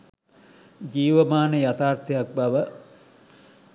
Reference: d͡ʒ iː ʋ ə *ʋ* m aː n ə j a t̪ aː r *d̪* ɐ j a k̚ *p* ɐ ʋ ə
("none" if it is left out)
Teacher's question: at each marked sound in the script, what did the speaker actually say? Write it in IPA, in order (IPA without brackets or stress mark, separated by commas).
none, t̪, b